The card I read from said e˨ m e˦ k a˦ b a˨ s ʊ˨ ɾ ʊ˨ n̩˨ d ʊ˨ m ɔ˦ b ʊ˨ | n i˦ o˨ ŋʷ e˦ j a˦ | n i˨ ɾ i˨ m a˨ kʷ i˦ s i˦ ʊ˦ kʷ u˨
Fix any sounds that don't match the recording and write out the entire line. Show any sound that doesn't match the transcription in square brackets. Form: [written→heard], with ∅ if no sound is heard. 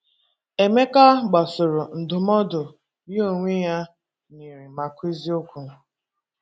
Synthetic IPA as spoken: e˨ m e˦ k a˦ [b→ɡ͡b] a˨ s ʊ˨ ɾ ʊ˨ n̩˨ d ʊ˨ m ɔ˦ [b→d] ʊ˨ | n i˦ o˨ ŋʷ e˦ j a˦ | n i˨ ɾ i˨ m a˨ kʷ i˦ [s→z] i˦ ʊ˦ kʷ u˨